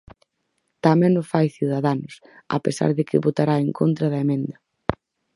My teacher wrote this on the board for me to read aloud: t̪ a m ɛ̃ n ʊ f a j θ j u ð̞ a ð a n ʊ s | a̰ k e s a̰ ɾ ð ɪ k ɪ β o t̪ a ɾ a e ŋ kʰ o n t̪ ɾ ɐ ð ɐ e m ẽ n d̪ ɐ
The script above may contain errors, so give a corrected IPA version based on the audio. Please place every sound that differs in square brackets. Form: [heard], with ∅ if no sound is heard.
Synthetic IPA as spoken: t̪ a m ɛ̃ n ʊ f a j θ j u ð̞ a ð a n ʊ s | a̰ [p] e s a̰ ɾ ð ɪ k ɪ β o t̪ a ɾ a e ŋ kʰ o n t̪ ɾ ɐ ð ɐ e m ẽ n d̪ ɐ